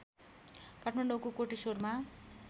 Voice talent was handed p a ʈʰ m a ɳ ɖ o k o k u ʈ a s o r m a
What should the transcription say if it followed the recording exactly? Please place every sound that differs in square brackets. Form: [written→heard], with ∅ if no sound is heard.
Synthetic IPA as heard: [p→k] a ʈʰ m a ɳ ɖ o k o k [u→o] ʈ [a→i] s o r m a